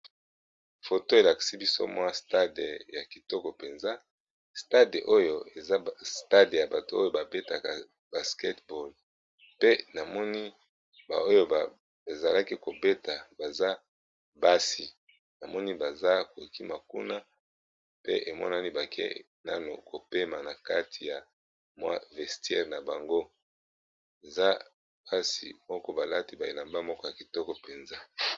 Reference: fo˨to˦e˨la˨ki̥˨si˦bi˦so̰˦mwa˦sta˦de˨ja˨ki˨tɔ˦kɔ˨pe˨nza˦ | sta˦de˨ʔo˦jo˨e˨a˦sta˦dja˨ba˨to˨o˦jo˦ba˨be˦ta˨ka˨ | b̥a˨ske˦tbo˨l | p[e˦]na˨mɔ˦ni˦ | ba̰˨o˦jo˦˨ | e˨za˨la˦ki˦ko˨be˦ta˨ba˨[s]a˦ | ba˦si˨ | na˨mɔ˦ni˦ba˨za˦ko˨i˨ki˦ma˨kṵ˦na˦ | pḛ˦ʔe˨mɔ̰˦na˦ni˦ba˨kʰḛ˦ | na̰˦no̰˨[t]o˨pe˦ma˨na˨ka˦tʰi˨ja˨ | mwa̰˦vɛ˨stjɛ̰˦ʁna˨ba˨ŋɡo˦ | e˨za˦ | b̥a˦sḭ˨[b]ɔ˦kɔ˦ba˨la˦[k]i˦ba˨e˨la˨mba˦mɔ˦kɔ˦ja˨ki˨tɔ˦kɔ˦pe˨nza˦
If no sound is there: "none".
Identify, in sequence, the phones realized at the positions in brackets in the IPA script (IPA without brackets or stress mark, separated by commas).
e˦, z, k, m, t